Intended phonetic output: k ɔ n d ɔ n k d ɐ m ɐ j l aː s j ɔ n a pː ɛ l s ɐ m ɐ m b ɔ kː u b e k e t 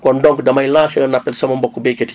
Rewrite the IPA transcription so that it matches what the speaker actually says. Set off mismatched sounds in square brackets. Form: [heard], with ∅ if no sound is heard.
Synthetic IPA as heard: k ɔ n d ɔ [ŋ] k d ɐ m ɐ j l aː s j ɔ n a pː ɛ l s ɐ m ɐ m b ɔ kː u b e k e t

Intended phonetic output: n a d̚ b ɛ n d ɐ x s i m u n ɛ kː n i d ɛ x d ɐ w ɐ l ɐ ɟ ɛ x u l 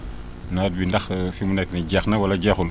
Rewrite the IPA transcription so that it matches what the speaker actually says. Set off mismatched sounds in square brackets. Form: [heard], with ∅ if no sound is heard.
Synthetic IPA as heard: n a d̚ b [i] n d ɐ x [f] i m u n ɛ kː n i [ɟ] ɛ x [n] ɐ w ɐ l ɐ ɟ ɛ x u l

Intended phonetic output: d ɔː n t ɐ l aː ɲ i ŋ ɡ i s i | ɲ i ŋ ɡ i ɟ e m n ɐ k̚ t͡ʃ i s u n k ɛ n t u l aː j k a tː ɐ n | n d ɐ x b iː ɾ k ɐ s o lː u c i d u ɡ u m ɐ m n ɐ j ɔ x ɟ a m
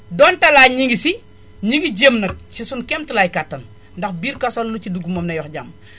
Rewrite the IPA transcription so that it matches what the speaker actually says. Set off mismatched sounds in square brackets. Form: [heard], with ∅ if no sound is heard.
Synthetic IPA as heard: d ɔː n t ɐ l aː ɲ i ŋ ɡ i s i | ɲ i ŋ ɡ i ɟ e m n ɐ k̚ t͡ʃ i s u n k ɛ [m] t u l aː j k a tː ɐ n | n d ɐ x b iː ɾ k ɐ s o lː u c i d u ɡ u m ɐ m n ɐ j ɔ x ɟ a m

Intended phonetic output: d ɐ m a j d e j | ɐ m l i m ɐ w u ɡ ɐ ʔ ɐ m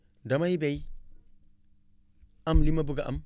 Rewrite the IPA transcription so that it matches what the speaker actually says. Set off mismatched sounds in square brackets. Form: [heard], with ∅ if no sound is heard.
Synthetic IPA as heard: d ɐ m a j [b] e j | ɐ m l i m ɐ [b] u ɡ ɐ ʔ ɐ m

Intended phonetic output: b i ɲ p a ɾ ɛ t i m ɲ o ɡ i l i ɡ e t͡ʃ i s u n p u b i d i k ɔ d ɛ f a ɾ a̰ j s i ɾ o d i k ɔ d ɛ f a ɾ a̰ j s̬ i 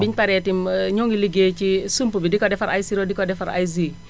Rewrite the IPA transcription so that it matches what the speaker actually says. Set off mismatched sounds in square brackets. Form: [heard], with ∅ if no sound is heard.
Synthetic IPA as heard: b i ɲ p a ɾ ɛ t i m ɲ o [ŋ] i l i ɡ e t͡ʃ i s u [m] p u b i d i k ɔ d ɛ f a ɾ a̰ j s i ɾ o d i k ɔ d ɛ f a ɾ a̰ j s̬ i

